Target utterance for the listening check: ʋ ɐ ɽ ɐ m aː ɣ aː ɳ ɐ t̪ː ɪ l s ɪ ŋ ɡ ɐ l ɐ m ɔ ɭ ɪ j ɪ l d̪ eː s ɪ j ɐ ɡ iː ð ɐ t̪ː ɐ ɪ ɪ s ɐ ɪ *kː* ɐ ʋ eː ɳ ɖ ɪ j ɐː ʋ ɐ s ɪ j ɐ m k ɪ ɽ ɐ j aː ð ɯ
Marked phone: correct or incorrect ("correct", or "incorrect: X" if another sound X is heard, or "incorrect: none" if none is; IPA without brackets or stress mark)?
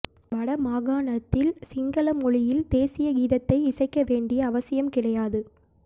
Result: correct